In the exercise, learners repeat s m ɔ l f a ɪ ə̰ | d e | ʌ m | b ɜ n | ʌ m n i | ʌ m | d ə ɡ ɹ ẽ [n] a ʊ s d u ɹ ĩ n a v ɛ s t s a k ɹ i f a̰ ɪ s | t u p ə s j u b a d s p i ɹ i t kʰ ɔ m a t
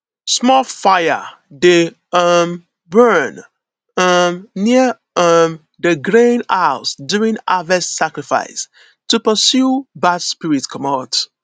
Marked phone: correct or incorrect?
correct